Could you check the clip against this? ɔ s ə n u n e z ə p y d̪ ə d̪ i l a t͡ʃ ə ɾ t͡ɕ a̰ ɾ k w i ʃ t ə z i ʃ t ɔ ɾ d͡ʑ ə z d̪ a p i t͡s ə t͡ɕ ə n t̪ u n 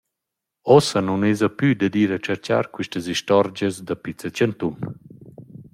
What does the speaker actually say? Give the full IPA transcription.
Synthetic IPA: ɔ s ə n u n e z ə p y d̪ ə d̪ i ɾ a t͡ʃ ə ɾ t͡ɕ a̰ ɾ k w i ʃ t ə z i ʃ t ɔ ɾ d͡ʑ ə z d̪ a p i t͡s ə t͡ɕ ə n t̪ u n